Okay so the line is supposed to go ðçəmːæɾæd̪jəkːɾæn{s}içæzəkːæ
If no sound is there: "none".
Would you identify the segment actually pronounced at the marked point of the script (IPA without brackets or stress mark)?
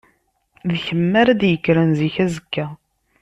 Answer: z